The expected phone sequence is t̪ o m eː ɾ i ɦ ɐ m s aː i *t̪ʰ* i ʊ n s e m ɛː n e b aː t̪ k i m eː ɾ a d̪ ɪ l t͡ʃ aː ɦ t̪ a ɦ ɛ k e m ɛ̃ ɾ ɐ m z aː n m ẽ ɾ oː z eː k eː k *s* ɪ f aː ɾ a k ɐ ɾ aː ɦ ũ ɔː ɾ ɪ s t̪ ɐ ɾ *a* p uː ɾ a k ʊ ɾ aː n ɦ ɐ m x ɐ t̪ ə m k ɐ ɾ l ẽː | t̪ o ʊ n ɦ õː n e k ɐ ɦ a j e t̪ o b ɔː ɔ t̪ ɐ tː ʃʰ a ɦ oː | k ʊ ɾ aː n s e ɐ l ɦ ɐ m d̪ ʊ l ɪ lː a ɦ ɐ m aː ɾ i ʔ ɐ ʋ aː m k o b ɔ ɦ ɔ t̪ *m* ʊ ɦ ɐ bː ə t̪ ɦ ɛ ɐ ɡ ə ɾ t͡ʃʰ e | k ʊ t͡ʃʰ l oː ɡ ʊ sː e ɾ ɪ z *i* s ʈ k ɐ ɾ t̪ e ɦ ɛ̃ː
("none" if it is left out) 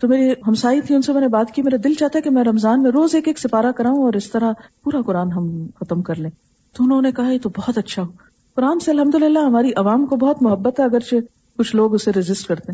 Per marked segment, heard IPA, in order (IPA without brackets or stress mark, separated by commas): t̪ʰ, s, a, m, ɪ